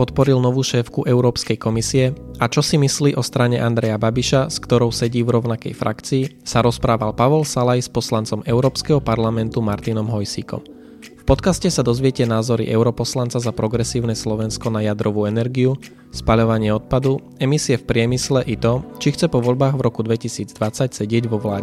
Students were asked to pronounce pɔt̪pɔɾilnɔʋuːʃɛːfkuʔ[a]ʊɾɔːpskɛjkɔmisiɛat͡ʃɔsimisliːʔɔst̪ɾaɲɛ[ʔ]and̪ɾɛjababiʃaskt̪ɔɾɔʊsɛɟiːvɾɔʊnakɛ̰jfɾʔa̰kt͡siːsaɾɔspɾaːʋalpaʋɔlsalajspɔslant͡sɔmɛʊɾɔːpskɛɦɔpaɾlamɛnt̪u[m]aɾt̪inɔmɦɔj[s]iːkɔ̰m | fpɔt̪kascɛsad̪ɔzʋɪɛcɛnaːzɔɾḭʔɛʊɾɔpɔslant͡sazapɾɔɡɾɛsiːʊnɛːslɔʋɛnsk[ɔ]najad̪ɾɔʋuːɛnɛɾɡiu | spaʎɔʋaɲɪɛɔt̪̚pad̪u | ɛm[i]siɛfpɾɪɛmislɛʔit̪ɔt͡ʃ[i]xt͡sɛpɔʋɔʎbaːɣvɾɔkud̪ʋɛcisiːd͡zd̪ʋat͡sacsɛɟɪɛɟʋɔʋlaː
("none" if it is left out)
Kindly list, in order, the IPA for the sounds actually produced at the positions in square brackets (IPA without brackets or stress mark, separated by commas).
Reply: ɛ, ʔ, m, s, ɔ, i, i